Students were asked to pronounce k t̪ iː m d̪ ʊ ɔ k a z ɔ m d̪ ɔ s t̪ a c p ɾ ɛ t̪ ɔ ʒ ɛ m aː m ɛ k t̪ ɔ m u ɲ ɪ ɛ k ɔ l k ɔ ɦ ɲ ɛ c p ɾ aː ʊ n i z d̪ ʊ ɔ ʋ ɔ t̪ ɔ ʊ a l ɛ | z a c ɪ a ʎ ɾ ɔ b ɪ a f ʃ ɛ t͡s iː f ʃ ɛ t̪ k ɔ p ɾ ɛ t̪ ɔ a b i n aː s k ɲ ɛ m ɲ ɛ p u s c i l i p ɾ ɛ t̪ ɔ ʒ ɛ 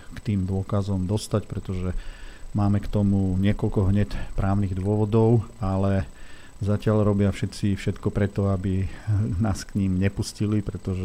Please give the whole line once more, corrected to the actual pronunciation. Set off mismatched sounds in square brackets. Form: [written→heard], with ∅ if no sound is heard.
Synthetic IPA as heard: k t̪ iː m d̪ ʊ ɔ k a z ɔ m d̪ ɔ s t̪ a c p ɾ ɛ t̪ ɔ ʒ ɛ m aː m ɛ k t̪ ɔ m u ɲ ɪ ɛ k ɔ l k ɔ ɦ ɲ ɛ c p ɾ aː ʊ n i [z→ɣ] d̪ ʊ ɔ ʋ ɔ [t̪→d̪] ɔ ʊ a l ɛ | z a c ɪ a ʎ ɾ ɔ b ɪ a f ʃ ɛ t͡s [iː→i] f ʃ ɛ t̪ k ɔ p ɾ ɛ t̪ ɔ a b i n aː s k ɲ [ɛ→i] m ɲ ɛ p u s c i l i p ɾ ɛ t̪ ɔ ʒ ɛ